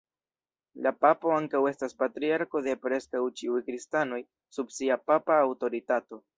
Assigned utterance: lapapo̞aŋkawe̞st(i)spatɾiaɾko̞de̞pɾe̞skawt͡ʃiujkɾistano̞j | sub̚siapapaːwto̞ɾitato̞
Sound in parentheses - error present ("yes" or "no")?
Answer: yes